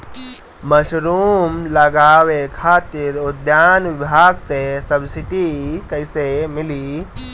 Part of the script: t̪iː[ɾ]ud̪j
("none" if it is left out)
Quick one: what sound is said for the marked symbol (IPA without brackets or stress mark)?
ɾ